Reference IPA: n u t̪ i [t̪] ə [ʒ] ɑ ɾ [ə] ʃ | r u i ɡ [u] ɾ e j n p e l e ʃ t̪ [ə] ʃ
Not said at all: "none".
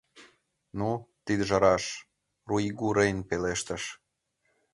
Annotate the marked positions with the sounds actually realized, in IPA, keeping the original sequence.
d̪, ʒ, ɑ, u, ə

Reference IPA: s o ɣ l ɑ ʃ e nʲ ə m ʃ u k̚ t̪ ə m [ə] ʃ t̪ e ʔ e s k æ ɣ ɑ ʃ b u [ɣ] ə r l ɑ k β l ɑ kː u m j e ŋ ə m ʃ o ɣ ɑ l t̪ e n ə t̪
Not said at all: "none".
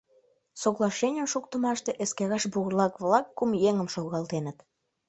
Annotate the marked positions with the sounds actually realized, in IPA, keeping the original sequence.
ɑ, ɣ

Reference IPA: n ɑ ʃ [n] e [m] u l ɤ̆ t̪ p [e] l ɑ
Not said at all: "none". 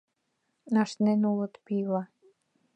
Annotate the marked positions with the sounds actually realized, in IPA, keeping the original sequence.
n, n, i

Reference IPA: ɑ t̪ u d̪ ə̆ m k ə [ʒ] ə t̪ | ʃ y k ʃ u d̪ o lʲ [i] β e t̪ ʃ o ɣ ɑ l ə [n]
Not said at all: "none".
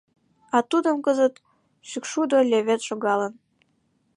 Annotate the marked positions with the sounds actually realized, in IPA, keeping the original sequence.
z, e, n

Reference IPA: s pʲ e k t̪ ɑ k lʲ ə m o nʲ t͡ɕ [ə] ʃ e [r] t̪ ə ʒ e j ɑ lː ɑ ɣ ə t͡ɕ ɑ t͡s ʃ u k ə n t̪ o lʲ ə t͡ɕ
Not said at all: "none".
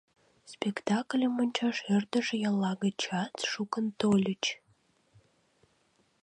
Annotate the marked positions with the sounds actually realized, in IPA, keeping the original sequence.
ɑ, r

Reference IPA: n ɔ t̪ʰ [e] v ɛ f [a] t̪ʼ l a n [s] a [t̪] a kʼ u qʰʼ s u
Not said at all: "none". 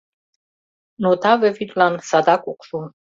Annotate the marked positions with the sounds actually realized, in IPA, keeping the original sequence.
a, i, s, d̪

